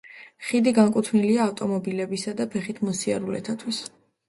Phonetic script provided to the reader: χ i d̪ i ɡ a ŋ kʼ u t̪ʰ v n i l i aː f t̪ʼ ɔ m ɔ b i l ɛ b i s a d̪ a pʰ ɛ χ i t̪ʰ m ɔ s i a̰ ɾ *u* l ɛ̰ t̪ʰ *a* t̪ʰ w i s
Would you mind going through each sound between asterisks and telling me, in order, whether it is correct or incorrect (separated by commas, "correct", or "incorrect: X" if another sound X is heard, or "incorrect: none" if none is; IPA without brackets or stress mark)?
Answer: correct, correct